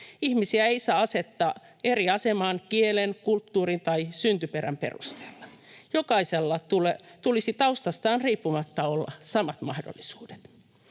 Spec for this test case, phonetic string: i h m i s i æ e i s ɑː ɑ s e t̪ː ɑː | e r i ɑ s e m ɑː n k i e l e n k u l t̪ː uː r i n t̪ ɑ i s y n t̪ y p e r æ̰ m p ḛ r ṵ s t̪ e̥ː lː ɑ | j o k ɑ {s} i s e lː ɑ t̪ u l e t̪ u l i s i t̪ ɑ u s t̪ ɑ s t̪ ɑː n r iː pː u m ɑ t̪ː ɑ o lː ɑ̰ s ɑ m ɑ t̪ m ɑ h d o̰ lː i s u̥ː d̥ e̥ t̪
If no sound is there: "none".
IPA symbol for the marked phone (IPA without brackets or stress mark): none